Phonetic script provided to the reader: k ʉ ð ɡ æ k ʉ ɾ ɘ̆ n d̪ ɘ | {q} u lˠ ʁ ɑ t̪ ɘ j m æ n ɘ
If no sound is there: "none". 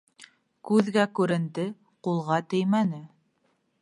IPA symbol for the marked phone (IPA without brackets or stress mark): q